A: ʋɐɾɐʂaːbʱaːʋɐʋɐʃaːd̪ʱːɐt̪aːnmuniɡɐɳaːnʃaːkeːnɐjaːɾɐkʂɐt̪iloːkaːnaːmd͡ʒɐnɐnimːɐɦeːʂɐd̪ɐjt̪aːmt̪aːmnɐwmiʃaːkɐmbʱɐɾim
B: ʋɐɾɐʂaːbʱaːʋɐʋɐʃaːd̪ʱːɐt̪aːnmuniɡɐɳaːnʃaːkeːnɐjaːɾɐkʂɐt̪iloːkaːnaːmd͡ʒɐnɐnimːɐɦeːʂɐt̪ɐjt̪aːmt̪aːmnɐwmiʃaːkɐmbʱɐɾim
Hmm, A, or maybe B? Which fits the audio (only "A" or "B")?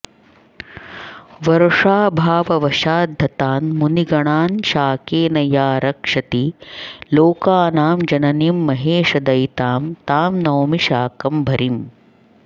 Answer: A